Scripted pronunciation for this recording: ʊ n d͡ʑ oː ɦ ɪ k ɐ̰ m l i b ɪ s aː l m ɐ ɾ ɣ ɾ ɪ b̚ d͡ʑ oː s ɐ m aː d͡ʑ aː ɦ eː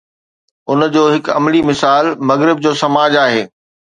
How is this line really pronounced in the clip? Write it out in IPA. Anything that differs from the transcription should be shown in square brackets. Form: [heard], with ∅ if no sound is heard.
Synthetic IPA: ʊ n d͡ʑ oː ɦ ɪ k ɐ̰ m l i [m] ɪ s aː l m ɐ [∅] ɣ ɾ ɪ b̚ d͡ʑ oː s ɐ m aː d͡ʑ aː ɦ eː